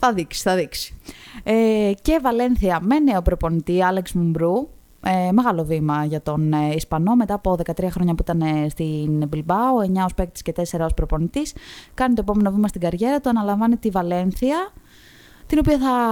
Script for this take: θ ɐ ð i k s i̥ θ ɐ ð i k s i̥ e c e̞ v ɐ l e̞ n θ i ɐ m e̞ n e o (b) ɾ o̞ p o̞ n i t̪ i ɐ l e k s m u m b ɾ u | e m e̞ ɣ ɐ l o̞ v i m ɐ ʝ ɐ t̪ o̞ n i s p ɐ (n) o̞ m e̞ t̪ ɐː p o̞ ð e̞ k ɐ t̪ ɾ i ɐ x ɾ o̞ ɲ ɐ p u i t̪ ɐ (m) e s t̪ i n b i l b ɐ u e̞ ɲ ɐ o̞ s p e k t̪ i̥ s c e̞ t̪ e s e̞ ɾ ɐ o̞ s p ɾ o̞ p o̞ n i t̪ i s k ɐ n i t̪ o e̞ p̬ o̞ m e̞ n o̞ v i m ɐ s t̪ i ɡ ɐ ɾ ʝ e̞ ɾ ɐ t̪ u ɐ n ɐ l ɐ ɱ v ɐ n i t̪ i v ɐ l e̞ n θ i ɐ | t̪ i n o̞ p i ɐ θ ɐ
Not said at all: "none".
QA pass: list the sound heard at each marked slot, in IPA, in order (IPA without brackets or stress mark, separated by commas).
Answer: p, n, n